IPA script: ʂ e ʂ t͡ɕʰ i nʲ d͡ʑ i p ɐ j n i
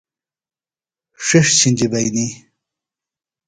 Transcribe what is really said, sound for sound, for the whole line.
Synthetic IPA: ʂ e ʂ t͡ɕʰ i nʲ d͡ʑ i b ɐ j n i